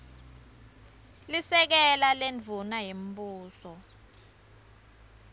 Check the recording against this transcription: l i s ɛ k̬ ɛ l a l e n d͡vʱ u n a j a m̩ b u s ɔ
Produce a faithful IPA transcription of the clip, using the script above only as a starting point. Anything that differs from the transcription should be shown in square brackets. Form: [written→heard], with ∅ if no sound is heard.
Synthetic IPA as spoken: l i s ɛ k̬ ɛ l a l e n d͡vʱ u n a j [a→e] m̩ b [u→uː] s ɔ